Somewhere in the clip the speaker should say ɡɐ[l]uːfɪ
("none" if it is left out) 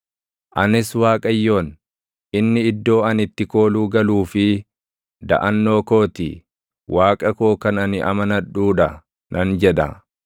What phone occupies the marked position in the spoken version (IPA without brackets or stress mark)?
l